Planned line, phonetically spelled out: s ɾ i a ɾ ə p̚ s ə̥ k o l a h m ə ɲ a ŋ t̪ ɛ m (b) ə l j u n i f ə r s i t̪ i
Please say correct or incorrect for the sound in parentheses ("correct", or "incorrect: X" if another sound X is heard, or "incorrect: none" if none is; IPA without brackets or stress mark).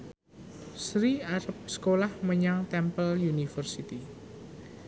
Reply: incorrect: p